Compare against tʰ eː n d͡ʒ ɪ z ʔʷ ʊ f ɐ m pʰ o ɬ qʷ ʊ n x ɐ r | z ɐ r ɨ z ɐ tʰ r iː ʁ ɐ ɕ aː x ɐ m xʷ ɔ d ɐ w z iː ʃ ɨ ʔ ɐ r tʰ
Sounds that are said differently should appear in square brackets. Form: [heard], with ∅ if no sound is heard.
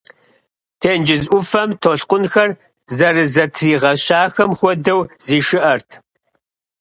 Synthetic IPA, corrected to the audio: tʰ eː n d͡ʒ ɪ z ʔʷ ʊ f ɐ m [tʰ] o ɬ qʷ ʊ n x ɐ r | z ɐ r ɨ z ɐ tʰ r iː ʁ ɐ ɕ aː x ɐ m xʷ ɔ d ɐ w z iː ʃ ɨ ʔ ɐ r tʰ

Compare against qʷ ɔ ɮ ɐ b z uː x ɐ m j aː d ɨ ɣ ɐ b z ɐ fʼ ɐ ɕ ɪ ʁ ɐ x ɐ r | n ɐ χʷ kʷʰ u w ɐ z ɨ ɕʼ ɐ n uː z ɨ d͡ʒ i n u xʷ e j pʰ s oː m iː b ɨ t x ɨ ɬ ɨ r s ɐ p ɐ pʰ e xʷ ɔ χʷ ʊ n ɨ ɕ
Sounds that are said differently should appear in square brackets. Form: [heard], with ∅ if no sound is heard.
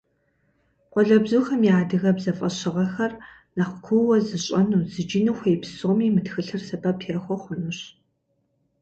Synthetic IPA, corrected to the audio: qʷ ɔ ɮ ɐ b z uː x ɐ m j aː d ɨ ɣ ɐ b z ɐ fʼ ɐ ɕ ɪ ʁ ɐ x ɐ r | n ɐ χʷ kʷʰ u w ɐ z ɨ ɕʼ ɐ n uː z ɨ d͡ʒ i n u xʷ e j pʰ s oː m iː [m] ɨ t x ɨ ɬ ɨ r s ɐ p ɐ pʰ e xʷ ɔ χʷ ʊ n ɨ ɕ

